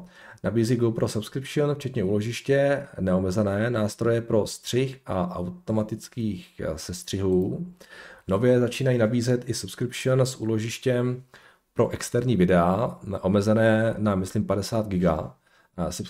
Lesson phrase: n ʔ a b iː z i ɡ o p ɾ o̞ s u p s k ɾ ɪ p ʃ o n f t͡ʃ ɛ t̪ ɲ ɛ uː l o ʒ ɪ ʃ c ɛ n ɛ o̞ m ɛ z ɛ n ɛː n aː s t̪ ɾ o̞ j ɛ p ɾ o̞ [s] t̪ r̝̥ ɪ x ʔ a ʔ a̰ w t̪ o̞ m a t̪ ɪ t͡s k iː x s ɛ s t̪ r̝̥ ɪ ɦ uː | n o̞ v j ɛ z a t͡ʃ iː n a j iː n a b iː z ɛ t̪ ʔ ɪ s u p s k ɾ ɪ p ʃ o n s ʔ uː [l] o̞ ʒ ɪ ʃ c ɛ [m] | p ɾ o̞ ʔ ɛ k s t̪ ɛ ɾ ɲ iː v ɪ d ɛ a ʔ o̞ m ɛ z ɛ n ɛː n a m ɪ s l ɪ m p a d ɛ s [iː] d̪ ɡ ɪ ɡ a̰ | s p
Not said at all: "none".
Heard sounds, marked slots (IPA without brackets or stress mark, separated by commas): s, l, m, aː